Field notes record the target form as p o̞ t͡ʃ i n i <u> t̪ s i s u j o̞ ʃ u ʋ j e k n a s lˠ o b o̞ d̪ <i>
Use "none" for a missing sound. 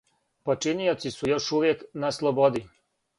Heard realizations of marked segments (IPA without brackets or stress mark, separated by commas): o, i